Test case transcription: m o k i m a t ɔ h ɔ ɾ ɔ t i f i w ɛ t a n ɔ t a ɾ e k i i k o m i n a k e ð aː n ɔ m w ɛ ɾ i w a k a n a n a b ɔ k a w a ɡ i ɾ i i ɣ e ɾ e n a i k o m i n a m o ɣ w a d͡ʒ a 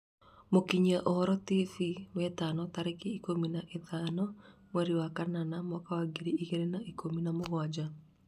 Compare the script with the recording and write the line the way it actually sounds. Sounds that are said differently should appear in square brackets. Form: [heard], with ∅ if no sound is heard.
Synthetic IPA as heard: m o k i [ɲ] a [ʔ] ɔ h ɔ ɾ ɔ t i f i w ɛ t a n ɔ t a ɾ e k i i k o m i n a [ʔ] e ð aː n ɔ m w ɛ ɾ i w a k a n a n a [m] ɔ k a w a ɡ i ɾ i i ɣ e ɾ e n a i k o m i n a m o ɣ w a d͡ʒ a